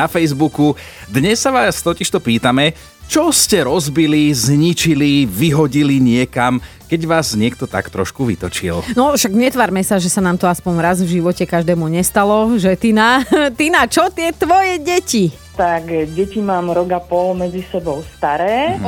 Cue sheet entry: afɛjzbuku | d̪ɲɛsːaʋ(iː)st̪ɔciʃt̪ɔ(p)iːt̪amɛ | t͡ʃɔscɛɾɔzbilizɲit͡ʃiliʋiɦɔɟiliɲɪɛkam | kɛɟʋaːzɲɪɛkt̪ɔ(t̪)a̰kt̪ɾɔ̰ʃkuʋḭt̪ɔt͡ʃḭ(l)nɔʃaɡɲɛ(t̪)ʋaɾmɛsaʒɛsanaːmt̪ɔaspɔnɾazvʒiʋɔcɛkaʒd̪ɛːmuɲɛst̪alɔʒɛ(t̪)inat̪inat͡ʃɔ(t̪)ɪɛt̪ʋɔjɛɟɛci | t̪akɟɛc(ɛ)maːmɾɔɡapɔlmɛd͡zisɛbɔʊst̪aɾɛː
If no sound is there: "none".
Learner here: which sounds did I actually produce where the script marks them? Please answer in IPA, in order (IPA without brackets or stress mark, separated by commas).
aː, p, t̪, l, t̪, t̪, t̪, i